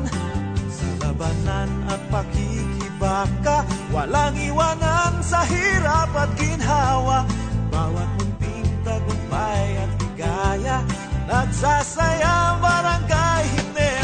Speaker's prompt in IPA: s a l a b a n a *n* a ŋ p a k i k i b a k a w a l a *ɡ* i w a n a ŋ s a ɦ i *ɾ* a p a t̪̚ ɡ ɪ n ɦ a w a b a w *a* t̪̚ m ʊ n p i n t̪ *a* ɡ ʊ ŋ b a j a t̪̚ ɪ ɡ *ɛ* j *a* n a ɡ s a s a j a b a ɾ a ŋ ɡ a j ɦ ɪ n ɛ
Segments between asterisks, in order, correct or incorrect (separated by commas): correct, incorrect, correct, correct, correct, incorrect, correct